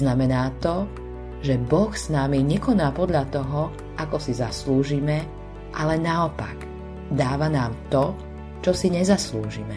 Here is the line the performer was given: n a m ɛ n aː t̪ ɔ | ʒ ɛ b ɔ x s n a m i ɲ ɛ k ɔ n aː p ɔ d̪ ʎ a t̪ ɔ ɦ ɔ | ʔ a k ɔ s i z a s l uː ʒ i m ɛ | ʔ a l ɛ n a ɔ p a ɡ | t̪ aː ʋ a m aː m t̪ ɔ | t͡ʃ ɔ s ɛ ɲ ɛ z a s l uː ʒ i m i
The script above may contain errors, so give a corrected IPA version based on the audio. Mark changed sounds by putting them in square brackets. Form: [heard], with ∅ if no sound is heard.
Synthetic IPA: n a m ɛ n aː t̪ ɔ | ʒ ɛ b ɔ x s n a m i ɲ ɛ k ɔ n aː p ɔ d̪ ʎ a t̪ ɔ ɦ ɔ | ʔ a k ɔ s i z a s l uː ʒ i m ɛ | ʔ a l ɛ n a ɔ p a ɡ | [d̪] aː ʋ a [n] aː m t̪ ɔ | t͡ʃ ɔ s [i] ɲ ɛ z a s l uː ʒ i m [ɛ]